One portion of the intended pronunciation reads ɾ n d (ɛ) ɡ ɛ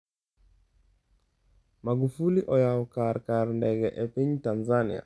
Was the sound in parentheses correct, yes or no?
yes